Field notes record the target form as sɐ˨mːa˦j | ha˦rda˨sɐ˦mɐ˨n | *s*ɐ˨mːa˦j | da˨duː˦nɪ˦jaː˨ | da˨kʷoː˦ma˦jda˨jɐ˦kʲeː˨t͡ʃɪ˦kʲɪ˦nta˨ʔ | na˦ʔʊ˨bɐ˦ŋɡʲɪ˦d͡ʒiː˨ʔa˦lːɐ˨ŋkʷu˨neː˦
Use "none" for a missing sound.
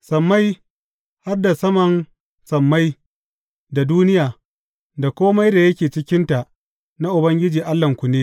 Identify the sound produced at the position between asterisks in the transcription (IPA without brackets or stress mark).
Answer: s